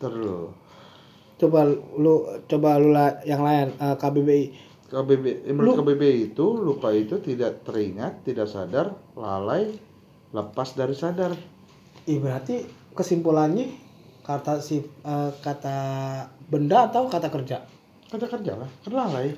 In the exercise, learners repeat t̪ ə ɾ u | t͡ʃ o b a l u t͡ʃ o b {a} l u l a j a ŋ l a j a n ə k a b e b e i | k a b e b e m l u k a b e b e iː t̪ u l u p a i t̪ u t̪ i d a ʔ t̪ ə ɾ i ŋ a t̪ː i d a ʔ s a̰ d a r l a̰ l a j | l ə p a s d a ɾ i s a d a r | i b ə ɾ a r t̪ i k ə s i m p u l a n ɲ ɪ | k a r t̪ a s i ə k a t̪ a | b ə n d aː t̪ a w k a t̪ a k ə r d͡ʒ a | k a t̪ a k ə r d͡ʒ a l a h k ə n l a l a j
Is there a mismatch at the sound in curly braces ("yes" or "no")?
no